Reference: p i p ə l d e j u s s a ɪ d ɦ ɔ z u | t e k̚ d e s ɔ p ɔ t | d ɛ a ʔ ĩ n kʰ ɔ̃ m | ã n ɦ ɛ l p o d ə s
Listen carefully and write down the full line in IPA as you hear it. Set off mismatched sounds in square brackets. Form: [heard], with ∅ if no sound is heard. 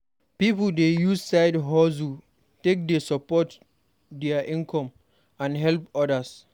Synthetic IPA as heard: p i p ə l d e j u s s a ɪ d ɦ ɔ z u | t e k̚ d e s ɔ p ɔ t | d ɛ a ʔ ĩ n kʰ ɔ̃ m | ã n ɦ ɛ l p [ɔ] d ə s